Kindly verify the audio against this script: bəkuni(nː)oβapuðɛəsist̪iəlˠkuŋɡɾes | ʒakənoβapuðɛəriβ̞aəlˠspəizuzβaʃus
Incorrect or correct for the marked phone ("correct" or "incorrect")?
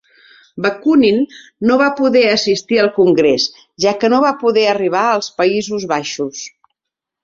correct